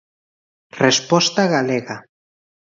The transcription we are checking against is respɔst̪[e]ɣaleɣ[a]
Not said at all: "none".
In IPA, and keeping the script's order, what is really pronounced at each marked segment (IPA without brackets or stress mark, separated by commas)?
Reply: a, a